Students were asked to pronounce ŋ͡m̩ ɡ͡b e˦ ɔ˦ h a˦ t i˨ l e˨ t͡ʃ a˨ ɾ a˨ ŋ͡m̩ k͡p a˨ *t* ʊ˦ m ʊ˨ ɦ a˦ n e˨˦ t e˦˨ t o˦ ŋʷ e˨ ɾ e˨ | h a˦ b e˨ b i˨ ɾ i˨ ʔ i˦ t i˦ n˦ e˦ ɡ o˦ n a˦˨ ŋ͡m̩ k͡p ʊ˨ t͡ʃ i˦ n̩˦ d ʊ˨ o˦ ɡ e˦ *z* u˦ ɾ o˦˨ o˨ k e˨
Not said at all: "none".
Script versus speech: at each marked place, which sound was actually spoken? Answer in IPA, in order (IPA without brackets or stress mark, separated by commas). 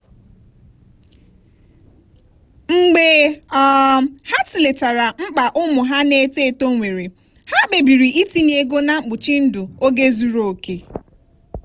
ʔ, z